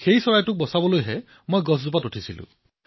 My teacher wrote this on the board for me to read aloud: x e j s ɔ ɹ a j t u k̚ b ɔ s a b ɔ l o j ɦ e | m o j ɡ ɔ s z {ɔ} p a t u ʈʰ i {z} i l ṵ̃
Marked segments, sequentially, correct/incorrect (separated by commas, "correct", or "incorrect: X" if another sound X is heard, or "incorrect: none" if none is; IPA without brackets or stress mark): incorrect: u, incorrect: s